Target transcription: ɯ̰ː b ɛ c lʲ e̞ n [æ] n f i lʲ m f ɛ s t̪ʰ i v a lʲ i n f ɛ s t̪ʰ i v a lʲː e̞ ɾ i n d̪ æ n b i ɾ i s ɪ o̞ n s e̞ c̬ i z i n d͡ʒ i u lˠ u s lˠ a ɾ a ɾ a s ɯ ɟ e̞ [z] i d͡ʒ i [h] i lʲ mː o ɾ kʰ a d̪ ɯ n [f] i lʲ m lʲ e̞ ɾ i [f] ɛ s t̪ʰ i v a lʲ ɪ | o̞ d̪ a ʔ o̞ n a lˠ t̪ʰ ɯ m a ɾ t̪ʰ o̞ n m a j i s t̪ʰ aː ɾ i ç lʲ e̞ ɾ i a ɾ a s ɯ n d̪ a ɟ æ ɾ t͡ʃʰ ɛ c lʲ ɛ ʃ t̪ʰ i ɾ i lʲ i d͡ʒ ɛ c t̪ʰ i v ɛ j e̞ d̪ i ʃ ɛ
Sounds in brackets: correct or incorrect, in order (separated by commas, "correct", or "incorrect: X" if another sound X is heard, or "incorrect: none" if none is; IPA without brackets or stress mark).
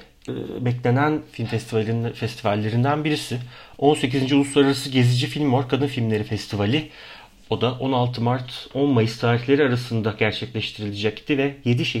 correct, correct, incorrect: f, correct, correct